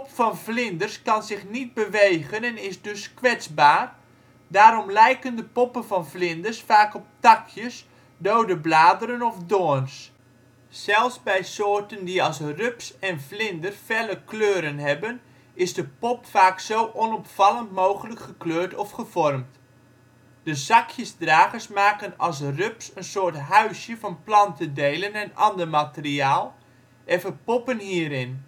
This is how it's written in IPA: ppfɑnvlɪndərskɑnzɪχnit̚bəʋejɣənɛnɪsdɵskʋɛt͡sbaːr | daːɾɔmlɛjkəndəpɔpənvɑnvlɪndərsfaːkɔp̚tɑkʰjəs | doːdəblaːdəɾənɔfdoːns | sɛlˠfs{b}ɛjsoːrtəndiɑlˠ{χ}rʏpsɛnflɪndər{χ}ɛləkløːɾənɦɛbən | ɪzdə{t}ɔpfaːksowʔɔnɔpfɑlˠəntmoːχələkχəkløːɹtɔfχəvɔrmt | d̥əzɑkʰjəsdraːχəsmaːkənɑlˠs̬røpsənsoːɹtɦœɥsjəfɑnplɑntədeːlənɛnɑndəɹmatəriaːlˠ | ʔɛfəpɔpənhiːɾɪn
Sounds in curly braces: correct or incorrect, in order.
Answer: correct, incorrect: s, incorrect: f, incorrect: p

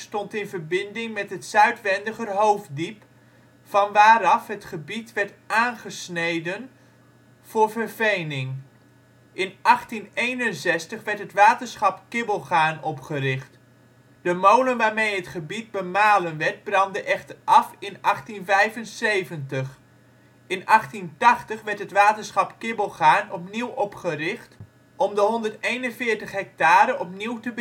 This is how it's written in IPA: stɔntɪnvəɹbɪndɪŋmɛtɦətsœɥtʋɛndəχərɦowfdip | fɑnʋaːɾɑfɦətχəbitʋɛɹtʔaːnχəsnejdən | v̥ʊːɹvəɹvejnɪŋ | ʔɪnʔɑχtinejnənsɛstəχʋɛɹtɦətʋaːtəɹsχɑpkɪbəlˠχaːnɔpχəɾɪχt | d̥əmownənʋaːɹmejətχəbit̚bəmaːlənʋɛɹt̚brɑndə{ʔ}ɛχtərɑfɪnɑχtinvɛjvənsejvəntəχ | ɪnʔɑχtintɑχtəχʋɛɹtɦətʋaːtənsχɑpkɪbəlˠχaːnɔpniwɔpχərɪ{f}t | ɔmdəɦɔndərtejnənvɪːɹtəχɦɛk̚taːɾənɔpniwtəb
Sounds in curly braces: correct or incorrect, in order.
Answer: correct, incorrect: χ

